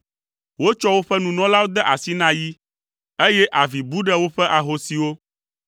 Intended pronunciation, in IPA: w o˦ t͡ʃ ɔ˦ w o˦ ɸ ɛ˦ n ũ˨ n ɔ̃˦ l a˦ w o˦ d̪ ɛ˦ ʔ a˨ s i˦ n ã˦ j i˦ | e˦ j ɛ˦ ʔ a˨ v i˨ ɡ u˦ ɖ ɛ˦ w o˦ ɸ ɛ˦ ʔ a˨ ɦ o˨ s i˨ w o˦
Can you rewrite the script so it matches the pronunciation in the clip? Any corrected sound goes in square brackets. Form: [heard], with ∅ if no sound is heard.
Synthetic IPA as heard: w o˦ t͡ʃ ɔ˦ w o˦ ɸ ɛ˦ n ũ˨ n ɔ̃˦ l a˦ w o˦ d̪ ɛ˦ ʔ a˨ s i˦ n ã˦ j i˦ | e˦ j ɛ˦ ʔ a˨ v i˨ [b] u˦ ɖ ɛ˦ w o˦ ɸ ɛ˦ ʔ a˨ ɦ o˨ s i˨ w o˦